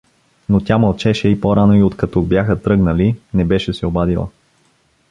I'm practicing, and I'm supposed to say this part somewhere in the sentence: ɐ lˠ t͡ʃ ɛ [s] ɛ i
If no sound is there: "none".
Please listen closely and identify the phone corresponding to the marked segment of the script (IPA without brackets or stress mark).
ʃ